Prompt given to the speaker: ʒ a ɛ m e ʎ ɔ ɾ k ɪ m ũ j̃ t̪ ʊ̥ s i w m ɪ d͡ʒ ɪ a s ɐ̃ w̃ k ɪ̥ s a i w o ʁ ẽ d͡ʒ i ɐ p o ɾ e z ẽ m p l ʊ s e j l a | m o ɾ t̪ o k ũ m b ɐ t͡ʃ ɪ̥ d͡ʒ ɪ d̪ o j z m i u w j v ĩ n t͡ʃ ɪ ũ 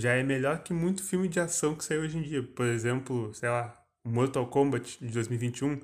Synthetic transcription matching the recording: ʒ a ɛ m e ʎ ɔ ɾ k ɪ m ũ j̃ t̪ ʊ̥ f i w m ɪ d͡ʒ ɪ a s ɐ̃ w̃ k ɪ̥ s a i w o ʒ ẽ d͡ʒ i ɐ p o ɾ e z ẽ m p l ʊ s e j l a | m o ɾ t̪ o k õ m b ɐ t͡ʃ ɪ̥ d͡ʒ ɪ d̪ o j z m i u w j v ĩ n t͡ʃ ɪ ũ